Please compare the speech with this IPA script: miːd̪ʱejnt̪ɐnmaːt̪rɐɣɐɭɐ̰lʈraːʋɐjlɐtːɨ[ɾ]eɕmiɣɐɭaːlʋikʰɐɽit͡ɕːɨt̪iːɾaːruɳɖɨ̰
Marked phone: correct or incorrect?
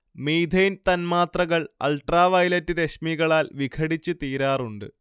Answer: correct